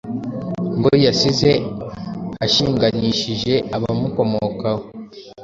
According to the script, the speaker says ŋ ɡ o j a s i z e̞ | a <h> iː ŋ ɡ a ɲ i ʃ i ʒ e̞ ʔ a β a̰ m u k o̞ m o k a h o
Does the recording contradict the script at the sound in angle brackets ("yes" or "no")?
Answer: yes